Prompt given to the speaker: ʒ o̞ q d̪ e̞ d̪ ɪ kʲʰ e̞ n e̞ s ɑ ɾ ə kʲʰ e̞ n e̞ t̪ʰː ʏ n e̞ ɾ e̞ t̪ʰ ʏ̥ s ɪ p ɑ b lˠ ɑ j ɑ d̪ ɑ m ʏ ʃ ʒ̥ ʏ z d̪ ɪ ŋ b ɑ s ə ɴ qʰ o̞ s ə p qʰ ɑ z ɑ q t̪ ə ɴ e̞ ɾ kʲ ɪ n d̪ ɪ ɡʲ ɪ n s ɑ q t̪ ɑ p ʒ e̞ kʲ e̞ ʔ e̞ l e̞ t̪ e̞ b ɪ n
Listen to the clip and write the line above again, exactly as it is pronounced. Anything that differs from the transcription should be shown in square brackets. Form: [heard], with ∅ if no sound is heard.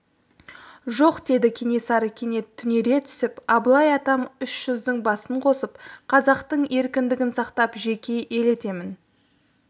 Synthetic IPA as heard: ʒ o̞ q d̪ e̞ d̪ ɪ kʲʰ e̞ n e̞ s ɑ ɾ ə kʲʰ e̞ n e̞ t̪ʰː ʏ n e̞ ɾ e̞ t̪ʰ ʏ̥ s ɪ p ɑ b lˠ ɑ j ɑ [t̪] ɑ m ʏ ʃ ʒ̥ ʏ z d̪ ɪ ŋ b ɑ s ə ɴ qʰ o̞ s ə p qʰ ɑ z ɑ q t̪ ə ɴ e̞ ɾ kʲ ɪ n d̪ ɪ ɡʲ ɪ n s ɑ q t̪ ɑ p ʒ e̞ kʲ e̞ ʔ e̞ l e̞ t̪ e̞ [m] ɪ n